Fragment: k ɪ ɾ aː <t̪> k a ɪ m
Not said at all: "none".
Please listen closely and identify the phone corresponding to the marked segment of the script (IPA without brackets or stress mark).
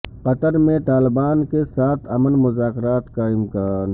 t̪